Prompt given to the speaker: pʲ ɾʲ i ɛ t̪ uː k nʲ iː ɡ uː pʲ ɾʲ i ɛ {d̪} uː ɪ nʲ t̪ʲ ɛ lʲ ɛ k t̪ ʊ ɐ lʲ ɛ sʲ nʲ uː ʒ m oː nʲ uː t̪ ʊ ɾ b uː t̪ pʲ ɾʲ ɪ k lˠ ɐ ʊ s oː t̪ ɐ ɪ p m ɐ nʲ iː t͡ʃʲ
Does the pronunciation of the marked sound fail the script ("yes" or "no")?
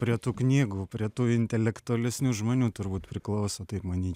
yes